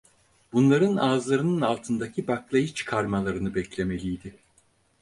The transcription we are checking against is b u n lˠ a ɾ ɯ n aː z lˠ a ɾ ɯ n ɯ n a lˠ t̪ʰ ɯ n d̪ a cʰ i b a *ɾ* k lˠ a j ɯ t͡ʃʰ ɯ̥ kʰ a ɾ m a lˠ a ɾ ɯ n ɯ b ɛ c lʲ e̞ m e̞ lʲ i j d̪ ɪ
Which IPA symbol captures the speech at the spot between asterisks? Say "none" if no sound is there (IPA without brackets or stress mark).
none